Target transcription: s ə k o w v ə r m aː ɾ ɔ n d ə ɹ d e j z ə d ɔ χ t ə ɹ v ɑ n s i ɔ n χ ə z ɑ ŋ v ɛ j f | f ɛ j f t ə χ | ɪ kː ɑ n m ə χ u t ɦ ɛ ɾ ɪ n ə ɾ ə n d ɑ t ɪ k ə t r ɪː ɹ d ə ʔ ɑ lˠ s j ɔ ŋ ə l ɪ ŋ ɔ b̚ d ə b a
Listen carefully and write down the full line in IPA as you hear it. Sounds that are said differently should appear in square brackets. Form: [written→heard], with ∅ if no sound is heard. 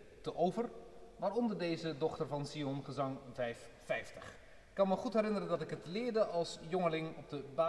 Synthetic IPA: [s→t] ə [k→ʔ] o w v ə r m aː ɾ ɔ n d ə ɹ d e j z ə d ɔ χ t ə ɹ v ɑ n s i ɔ n χ ə z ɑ ŋ v ɛ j f | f ɛ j f t ə χ | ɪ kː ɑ n m ə χ u t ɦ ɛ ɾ ɪ n ə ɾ ə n d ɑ t ɪ k ə t [r→l] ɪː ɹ d ə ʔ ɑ lˠ s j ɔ ŋ ə l ɪ ŋ ɔ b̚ d ə b a